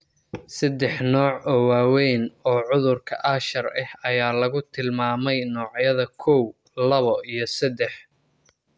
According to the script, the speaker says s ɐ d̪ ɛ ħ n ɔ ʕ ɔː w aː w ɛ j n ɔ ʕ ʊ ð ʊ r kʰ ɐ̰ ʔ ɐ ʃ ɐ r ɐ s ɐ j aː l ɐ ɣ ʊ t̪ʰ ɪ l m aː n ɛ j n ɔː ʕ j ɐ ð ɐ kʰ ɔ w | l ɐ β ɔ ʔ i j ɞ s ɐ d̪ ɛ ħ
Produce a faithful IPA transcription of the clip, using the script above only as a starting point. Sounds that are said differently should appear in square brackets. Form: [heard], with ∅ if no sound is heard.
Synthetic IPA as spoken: s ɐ d̪ ɛ ħ n [ɔː] ʕ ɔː w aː w ɛ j n [ɔː] ʕ ʊ ð ʊ r kʰ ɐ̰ ʔ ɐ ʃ ɐ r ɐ [h] ɐ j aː l ɐ ɣ ʊ t̪ʰ ɪ l m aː [m] ɛ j n ɔː ʕ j ɐ ð ɐ kʰ ɔ w | l ɐ β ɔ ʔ i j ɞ s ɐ d̪ ɛ ħ